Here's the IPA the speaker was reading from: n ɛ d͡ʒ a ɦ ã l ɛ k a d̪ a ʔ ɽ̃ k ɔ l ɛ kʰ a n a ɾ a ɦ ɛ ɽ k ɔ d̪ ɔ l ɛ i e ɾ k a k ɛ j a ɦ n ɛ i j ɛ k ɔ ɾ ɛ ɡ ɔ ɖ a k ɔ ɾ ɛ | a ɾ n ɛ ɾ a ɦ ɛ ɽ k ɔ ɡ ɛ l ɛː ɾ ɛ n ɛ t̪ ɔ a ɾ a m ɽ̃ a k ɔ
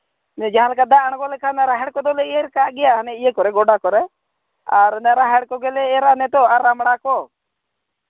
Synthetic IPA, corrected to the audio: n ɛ d͡ʒ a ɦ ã l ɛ k a d̪ a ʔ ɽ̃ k ɔ l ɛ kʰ a n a ɾ a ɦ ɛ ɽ k ɔ d̪ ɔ l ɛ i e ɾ k a ɡ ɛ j a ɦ n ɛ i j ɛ k ɔ ɾ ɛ ɡ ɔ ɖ a k ɔ ɾ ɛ | a ɾ n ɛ ɾ a ɦ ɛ ɽ k ɔ ɡ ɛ l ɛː ɾ a n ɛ t̪ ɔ a ɾ a m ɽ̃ a k ɔ

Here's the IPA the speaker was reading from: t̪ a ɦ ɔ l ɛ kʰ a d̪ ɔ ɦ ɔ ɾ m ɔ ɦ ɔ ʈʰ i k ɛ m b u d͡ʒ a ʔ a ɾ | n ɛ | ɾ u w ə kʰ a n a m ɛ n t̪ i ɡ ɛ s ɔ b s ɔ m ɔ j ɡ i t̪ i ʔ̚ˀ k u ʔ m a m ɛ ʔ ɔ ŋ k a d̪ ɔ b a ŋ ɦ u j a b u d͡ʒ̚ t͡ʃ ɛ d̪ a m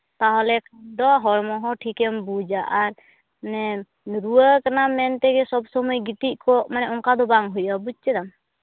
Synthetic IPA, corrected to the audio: t̪ a ɦ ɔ l ɛ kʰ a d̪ ɔ ɦ ɔ ɾ m ɔ ɦ ɔ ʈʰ i k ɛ m b u d͡ʒ a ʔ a ɾ | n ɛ | ɾ u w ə k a n a m ɛ n t̪ ɛ ɡ ɛ s ɔ b s ɔ m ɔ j ɡ i t̪ i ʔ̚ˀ k ɔ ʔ m a n ɛ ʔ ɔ ŋ k a d̪ ɔ b a ŋ ɦ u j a b u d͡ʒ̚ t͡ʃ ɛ d̪ a m

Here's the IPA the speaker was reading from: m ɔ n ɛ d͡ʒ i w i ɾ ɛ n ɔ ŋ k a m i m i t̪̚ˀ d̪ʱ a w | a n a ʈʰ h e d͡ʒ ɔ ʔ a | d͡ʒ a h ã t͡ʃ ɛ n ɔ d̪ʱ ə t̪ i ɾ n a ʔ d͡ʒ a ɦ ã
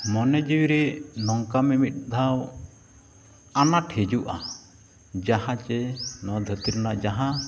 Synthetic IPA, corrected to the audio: m ɔ n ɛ d͡ʒ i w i ɾ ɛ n ɔ ŋ k a m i m i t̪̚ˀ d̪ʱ a w | a n a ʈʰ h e d͡ʒ u ʔ a | d͡ʒ a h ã t͡ʃ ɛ n ɔ d̪ʱ ə t̪ i ɾ n a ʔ d͡ʒ a ɦ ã

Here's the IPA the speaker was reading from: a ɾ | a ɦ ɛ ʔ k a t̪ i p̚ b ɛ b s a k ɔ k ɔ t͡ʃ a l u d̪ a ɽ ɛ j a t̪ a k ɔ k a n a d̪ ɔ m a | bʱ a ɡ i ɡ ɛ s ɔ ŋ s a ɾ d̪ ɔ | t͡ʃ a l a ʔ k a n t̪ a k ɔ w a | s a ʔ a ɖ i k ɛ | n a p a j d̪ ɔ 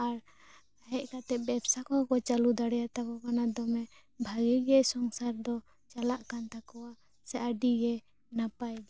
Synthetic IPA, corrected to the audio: a ɾ | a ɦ ɛ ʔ k a t̪ ɛ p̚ b ɛ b s a k ɔ k ɔ t͡ʃ a l u d̪ a ɽ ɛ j a t̪ a k ɔ k a n a d̪ ɔ m ɛ | bʱ a ɡ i ɡ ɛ s ɔ ŋ s a ɾ d̪ ɔ | t͡ʃ a l a ʔ k a n t̪ a k ɔ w a | s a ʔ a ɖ i ɡ ɛ | n a p a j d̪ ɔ

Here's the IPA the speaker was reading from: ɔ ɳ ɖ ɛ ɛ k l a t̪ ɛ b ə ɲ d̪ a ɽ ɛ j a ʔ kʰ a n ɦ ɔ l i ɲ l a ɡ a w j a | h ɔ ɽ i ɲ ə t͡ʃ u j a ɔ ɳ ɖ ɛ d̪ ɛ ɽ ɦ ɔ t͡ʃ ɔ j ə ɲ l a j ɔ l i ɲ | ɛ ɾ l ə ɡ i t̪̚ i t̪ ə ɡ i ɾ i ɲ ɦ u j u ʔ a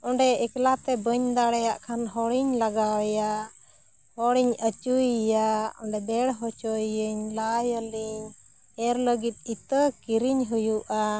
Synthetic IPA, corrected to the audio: ɔ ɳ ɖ ɛ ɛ k l a t̪ ɛ b ə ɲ d̪ a ɽ ɛ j a ʔ kʰ a n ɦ ɔ ɽ i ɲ l a ɡ a w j a | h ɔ ɽ i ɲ ə t͡ʃ u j a ɔ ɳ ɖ ɛ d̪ ɛ ɽ ɦ ɔ t͡ʃ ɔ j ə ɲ l a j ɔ l i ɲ | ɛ ɾ l ə ɡ i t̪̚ i t̪ ə k i ɾ i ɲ ɦ u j u ʔ a

